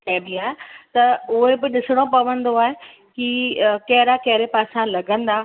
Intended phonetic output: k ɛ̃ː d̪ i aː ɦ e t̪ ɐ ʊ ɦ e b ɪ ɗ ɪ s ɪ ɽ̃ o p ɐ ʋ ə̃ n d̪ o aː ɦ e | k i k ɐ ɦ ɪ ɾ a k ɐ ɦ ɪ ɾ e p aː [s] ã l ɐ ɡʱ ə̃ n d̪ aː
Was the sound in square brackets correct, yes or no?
yes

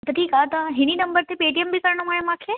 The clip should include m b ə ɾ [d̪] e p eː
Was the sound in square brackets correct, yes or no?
no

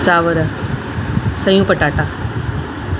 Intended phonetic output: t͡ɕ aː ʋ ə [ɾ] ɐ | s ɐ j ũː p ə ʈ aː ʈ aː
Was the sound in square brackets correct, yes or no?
yes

